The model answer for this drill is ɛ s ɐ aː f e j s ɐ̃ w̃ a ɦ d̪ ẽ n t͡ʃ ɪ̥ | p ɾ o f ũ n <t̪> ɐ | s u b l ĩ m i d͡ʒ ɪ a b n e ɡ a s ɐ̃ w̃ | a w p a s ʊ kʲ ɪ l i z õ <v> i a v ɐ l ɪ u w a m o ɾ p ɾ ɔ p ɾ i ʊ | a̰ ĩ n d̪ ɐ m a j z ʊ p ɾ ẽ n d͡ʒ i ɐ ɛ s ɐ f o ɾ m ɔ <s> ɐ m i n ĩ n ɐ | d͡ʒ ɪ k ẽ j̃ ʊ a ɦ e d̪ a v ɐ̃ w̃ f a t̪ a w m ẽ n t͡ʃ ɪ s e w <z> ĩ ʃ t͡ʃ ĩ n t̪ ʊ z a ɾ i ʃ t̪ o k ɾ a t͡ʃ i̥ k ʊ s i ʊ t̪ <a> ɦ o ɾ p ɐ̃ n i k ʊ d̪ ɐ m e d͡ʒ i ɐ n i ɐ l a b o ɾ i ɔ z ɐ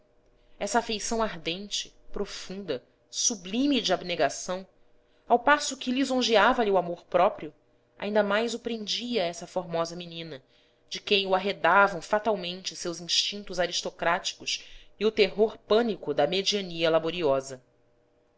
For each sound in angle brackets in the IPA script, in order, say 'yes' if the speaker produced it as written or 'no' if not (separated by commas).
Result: no, no, no, yes, no